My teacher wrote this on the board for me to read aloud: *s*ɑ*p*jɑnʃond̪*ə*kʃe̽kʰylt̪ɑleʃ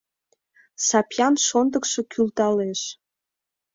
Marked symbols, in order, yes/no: yes, yes, yes

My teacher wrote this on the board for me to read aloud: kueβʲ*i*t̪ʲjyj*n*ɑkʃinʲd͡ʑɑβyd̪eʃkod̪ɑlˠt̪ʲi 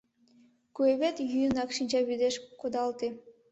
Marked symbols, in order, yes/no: no, yes

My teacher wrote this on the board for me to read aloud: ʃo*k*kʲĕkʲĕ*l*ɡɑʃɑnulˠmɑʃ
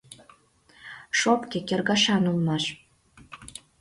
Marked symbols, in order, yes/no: no, no

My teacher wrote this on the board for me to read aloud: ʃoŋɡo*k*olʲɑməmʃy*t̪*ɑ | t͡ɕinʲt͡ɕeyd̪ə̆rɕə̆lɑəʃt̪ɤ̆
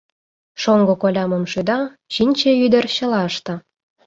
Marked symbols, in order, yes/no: yes, no

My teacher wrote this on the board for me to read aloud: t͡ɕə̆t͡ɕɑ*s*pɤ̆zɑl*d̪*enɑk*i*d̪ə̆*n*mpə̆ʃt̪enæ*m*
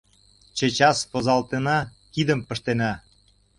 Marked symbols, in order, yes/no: yes, no, yes, no, no

